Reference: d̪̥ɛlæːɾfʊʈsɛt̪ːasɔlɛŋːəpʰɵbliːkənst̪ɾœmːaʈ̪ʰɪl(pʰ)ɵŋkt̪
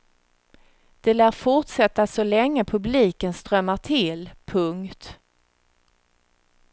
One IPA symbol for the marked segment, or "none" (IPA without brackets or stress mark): pʰ